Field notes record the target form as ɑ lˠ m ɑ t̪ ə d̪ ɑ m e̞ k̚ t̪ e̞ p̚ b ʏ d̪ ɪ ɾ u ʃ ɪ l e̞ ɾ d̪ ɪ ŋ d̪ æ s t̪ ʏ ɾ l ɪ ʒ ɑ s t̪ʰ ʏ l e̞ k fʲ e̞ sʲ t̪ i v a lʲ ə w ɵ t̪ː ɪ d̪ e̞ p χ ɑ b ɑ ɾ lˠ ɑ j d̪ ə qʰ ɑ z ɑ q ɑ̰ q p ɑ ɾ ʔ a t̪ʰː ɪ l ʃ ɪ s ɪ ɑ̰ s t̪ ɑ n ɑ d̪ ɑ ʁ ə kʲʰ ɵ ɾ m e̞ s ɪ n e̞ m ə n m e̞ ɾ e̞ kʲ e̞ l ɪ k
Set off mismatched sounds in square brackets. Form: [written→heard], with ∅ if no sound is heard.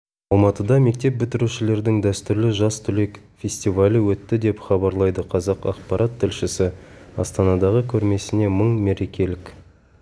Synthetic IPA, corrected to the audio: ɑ lˠ m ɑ t̪ ə d̪ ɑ m e̞ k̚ t̪ e̞ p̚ b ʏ [d̪→t̪] ɪ ɾ u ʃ ɪ l e̞ ɾ d̪ ɪ ŋ d̪ æ s t̪ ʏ ɾ l ɪ ʒ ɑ s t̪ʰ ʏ l e̞ k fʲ e̞ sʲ t̪ i v a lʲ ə w ɵ t̪ː ɪ d̪ e̞ p χ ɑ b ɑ ɾ lˠ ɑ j d̪ ə qʰ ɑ z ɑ q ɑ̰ q p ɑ ɾ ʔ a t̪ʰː ɪ l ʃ ɪ s ɪ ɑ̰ s t̪ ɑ n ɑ d̪ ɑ ʁ ə kʲʰ ɵ ɾ m e̞ s ɪ n e̞ m ə [n→ɴ] m e̞ ɾ e̞ kʲ e̞ l ɪ k